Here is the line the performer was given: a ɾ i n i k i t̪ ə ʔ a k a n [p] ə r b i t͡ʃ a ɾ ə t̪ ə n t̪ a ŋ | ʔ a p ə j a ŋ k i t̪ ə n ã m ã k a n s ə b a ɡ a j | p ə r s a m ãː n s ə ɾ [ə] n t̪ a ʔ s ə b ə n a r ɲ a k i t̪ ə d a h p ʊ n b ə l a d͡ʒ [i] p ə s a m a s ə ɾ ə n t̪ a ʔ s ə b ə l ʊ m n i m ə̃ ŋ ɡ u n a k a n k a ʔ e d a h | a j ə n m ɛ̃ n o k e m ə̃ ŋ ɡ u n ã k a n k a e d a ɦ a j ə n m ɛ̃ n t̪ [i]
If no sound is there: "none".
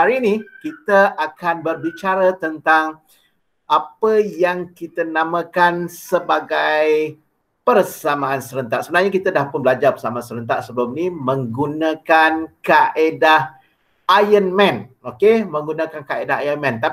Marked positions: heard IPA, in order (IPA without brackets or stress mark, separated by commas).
b, ə, a, a